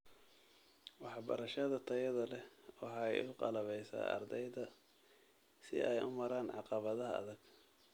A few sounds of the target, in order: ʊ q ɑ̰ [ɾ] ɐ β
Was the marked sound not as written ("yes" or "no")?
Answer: yes